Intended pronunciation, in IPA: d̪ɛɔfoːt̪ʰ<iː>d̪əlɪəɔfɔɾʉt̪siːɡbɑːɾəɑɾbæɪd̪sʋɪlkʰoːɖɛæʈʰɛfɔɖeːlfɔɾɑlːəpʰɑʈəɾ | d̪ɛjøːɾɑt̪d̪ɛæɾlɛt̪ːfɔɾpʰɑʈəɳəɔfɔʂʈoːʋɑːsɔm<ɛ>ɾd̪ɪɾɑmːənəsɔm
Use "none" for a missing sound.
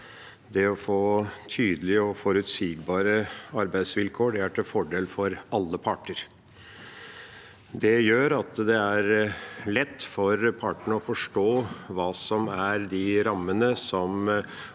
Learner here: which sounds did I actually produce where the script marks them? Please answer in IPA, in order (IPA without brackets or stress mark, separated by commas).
yː, æ